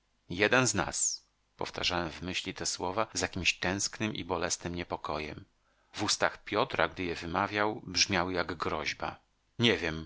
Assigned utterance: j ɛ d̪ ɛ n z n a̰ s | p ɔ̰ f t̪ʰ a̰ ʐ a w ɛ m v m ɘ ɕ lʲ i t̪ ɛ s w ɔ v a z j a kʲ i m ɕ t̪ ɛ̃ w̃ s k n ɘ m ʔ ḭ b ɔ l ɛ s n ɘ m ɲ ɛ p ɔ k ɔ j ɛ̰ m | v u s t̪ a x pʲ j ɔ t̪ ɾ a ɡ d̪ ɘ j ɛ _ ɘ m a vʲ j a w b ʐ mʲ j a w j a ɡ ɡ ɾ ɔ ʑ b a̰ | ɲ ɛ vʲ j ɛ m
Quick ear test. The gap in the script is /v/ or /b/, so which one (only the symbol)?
v